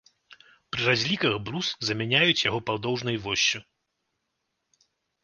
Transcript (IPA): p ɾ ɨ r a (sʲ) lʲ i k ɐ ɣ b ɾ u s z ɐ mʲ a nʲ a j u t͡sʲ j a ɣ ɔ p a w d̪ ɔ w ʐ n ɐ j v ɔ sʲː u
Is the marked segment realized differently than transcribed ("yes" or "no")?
yes